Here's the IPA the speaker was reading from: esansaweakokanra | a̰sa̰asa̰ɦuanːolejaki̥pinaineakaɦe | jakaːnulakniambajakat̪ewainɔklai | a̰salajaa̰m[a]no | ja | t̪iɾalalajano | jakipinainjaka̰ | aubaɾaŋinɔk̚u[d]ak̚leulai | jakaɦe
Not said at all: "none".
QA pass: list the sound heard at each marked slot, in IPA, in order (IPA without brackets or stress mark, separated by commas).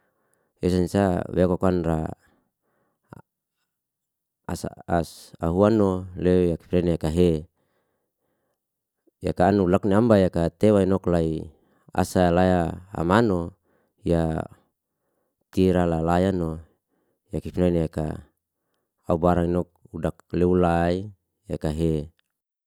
a, d